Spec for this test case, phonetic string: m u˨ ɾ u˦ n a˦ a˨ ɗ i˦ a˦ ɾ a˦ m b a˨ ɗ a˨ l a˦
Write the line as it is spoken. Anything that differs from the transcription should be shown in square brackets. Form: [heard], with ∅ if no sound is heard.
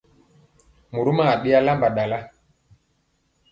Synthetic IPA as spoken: m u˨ ɾ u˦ [m] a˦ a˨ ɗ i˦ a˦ [l] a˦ m b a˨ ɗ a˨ l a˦

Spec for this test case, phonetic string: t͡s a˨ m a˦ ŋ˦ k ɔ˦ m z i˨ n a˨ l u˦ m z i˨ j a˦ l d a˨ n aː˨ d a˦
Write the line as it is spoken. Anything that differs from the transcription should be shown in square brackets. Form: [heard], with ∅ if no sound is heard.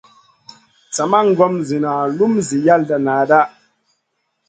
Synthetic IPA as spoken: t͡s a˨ m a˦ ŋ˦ [ɡ] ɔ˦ m z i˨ n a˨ l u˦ m z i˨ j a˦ l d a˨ n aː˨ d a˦

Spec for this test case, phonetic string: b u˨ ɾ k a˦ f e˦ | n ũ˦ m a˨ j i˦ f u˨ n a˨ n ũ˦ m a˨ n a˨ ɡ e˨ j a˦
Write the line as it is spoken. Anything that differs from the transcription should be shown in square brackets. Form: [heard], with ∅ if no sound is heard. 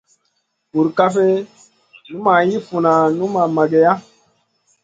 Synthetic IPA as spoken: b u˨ ɾ k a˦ f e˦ | n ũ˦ m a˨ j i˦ f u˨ n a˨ n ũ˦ m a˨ [m] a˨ ɡ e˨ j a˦

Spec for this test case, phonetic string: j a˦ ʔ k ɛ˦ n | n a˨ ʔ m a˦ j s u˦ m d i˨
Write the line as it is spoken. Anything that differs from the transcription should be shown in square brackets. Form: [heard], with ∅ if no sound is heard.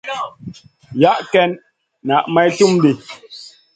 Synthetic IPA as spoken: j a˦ ʔ k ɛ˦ n | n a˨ ʔ m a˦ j [t] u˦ m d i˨

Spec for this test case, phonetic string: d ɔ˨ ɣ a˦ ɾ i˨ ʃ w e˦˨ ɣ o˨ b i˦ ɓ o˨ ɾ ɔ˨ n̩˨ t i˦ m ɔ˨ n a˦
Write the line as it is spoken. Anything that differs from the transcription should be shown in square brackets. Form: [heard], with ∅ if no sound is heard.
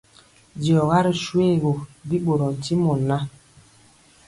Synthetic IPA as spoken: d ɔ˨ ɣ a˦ ɾ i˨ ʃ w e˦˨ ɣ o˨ b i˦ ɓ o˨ ɾ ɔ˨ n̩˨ t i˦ m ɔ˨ n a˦

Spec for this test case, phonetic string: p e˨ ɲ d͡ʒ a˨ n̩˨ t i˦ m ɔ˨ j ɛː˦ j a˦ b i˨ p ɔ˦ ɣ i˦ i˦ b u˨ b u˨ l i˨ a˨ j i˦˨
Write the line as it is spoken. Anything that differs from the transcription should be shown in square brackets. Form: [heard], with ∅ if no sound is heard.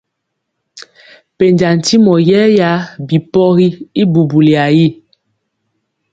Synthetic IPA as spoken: p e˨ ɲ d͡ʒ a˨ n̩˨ t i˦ m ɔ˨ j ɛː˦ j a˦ b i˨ p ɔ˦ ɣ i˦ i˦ b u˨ b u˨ l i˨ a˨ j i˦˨

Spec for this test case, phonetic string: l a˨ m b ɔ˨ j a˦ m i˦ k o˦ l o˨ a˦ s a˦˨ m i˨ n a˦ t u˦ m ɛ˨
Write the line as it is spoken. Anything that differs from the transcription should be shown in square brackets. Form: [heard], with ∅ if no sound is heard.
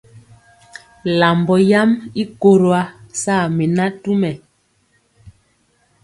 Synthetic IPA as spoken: l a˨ m b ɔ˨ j a˦ m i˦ k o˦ [ɾ] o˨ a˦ s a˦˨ m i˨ n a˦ t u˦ m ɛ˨

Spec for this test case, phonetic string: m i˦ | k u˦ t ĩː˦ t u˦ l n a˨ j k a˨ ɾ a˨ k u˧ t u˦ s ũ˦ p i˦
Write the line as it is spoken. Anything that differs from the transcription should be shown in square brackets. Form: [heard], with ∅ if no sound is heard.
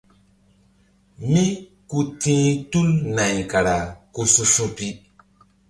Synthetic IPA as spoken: m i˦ | k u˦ t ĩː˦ t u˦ l n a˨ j k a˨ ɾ a˨ k u˧ [s] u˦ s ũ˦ p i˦

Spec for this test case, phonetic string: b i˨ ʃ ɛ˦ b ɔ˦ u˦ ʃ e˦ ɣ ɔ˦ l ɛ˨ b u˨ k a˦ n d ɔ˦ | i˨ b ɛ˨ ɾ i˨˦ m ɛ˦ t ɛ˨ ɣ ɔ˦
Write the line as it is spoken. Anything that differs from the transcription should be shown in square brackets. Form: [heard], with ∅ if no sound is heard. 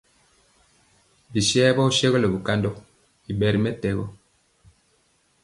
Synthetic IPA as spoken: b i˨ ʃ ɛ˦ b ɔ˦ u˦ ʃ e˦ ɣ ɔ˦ l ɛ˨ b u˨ k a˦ n d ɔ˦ | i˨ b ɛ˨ ɾ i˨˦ m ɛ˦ t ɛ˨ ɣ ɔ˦

